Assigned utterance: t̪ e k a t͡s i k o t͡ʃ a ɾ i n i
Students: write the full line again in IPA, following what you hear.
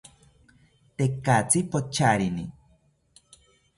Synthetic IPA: t̪ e k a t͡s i p o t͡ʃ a ɾ i n i